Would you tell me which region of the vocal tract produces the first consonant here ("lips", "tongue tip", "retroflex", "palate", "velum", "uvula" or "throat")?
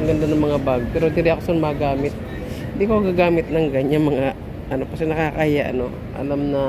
velum